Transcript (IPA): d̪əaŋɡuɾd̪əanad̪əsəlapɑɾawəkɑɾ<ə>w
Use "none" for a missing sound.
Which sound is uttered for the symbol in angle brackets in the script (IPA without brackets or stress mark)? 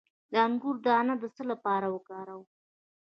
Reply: a